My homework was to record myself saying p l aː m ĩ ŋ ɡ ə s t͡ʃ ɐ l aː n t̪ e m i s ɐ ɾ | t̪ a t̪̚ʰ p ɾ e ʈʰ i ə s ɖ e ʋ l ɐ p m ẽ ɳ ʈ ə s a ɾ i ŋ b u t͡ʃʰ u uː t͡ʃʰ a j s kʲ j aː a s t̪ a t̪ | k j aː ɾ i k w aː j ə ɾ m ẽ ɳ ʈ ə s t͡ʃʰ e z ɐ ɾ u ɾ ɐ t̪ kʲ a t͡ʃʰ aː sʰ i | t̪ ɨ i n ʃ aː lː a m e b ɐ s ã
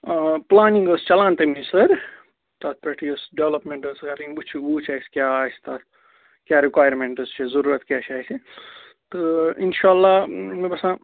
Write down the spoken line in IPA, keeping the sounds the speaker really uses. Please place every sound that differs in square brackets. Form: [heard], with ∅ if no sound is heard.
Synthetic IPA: p l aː [n] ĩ ŋ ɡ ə s t͡ʃ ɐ l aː n t̪ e m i s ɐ ɾ | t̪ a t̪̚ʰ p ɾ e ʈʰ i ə s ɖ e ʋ l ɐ p m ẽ ɳ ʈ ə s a ɾ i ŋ b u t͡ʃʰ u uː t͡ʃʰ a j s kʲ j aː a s t̪ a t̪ | k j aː ɾ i k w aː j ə ɾ m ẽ ɳ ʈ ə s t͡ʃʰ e z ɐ ɾ u ɾ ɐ t̪ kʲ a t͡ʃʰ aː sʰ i | t̪ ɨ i n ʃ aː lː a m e b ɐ s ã